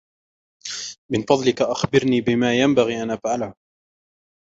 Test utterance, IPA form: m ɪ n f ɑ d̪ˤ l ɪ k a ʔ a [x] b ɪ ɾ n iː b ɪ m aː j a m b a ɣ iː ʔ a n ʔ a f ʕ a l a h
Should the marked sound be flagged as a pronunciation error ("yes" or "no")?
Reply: no